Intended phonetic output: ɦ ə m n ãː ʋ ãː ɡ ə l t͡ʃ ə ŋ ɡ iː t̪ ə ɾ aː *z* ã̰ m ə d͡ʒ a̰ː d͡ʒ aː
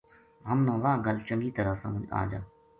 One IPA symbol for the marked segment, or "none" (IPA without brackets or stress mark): s